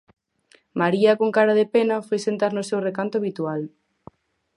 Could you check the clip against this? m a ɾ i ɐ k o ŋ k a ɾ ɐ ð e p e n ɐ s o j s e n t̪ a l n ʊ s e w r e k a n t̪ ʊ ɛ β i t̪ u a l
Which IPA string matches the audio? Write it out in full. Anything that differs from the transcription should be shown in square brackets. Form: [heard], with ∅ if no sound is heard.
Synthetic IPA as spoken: m a ɾ i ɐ k o ŋ k a ɾ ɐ ð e p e n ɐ [f] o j s e n t̪ a [ɾ] n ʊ s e w r e k a n t̪ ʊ [a] β i t̪ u a l